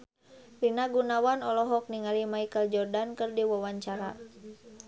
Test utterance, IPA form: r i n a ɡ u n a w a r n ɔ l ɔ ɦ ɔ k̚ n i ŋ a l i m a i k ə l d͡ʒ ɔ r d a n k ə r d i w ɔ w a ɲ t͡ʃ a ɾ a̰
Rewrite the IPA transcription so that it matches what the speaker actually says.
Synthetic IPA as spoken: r i n a ɡ u n a w a n ɔ l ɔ ɦ ɔ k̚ n i ŋ a l i m a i k ə l d͡ʒ ɔ r d a n k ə r d i w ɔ w a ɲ t͡ʃ a ɾ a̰